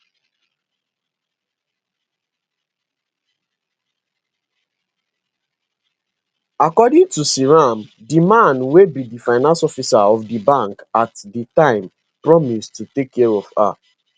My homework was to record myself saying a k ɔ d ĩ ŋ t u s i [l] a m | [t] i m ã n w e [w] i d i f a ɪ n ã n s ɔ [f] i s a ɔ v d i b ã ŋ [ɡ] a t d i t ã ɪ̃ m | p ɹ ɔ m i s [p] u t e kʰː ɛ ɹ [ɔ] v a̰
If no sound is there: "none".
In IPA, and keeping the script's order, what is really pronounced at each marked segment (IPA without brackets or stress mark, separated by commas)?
ɹ, d, b, f, k, t, ɔ